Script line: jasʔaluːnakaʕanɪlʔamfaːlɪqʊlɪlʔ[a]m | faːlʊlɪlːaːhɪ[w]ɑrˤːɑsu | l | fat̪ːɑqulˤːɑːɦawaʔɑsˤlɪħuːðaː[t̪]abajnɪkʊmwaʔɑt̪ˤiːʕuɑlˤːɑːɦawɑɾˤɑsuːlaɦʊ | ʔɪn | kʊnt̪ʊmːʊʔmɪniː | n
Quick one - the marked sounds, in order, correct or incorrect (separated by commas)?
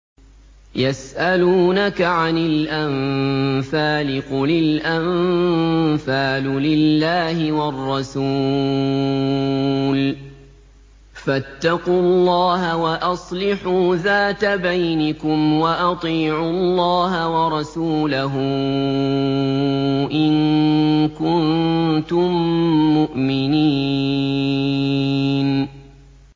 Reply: correct, correct, correct